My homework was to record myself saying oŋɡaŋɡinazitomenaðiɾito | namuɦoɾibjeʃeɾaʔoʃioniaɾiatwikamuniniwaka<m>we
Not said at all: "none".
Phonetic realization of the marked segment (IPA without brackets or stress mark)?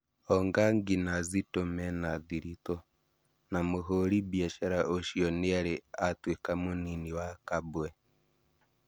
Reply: b